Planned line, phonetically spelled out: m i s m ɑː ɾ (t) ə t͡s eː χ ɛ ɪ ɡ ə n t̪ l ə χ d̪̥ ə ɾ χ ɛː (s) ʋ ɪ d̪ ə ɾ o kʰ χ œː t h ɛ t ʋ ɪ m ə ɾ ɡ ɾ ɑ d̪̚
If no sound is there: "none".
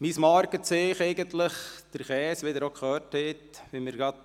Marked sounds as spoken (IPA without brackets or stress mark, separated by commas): k, s